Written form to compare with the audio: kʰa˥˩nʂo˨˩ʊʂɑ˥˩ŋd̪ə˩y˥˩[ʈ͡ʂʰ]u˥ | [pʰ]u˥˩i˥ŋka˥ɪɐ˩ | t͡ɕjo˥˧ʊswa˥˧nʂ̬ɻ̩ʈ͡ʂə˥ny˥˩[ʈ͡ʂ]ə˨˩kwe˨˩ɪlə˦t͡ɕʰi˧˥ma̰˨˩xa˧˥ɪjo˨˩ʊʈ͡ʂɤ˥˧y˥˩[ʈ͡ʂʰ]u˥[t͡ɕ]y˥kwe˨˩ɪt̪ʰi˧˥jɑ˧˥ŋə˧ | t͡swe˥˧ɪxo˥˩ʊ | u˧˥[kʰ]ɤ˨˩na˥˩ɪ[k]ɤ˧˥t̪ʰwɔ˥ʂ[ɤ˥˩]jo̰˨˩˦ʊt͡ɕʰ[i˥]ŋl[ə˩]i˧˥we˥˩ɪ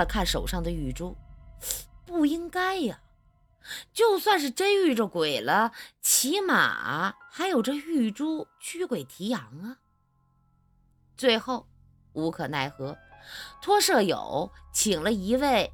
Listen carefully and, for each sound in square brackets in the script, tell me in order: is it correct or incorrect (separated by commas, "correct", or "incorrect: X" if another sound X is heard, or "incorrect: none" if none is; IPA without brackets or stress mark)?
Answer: incorrect: ʈ͡ʂ, incorrect: p, correct, incorrect: ʈ͡ʂ, incorrect: t͡ɕʰ, correct, incorrect: x, correct, incorrect: i˨˩, incorrect: ə˦